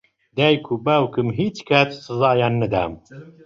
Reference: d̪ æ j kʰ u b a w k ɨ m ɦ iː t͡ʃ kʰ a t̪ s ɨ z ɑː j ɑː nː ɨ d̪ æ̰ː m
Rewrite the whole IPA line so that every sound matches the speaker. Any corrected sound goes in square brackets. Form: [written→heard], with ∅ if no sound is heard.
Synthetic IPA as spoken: d̪ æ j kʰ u b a w k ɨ m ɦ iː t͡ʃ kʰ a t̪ s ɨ z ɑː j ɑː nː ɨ d̪ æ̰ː m